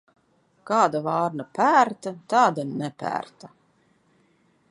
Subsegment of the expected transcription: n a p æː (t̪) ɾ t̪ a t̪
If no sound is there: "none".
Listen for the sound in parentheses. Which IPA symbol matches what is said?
none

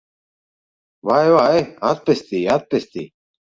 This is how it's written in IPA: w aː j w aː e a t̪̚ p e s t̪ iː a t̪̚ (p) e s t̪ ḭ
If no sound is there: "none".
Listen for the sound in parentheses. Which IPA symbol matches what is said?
p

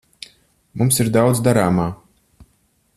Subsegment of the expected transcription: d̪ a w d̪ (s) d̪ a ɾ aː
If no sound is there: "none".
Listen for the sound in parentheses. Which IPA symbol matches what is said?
z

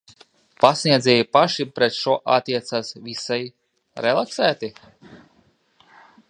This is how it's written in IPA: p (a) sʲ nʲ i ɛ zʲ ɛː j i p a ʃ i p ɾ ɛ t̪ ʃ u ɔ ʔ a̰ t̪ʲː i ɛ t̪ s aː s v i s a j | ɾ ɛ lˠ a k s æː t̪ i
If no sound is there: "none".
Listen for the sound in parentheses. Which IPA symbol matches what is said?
a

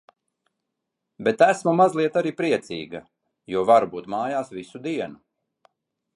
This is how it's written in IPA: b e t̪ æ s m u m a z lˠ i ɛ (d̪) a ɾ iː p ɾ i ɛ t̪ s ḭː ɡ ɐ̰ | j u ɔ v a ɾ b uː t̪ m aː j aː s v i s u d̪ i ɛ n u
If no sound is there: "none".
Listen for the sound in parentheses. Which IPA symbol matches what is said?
t̪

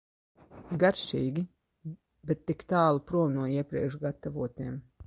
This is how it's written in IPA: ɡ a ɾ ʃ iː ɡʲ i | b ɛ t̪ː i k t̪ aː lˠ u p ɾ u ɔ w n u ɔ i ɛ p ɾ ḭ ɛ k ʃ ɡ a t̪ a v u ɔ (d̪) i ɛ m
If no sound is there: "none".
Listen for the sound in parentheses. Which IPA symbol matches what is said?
t̪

